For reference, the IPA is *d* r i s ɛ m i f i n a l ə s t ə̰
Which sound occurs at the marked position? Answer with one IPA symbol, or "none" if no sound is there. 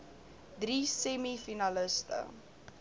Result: d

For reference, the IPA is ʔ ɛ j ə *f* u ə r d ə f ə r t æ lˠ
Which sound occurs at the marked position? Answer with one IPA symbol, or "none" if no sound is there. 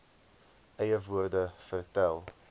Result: v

